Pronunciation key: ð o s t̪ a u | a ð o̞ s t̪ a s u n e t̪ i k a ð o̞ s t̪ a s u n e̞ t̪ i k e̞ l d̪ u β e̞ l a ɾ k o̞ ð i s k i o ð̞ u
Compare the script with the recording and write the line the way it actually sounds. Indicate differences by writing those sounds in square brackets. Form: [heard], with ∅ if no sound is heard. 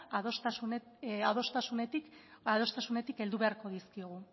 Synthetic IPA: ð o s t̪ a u | a ð o̞ s t̪ a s u n e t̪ i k a ð o̞ s t̪ a s u n e̞ t̪ i k e̞ l d̪ u β e̞ [∅] a ɾ k o̞ ð i s k i o [ɣ̞] u

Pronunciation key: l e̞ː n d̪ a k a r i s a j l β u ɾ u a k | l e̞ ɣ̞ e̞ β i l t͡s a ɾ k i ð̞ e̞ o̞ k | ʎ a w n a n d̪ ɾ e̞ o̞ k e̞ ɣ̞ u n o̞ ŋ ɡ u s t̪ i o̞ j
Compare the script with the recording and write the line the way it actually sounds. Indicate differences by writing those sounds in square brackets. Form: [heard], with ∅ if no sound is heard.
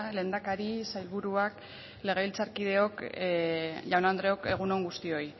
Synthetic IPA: l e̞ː n d̪ a k a [ɾ] i s a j l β u ɾ u a k | l e̞ ɣ̞ e̞ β i l t͡s a ɾ k i ð̞ e̞ o̞ k | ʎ a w n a n d̪ ɾ e̞ o̞ k e̞ ɣ̞ u n o̞ ŋ ɡ u s t̪ i o̞ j

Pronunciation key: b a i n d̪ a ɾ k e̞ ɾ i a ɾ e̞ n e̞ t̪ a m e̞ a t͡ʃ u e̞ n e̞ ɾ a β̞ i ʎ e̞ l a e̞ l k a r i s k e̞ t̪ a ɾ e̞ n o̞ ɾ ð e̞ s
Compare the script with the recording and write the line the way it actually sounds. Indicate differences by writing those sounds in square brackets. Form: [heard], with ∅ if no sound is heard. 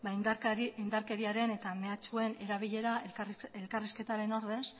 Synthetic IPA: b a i n d̪ a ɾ k e̞ ɾ i a ɾ e̞ n e̞ t̪ a m e̞ a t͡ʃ u e̞ n e̞ ɾ a β̞ i ʎ e̞ [ɾ] a e̞ l k a r i s k e̞ t̪ a ɾ e̞ n o̞ ɾ ð e̞ s

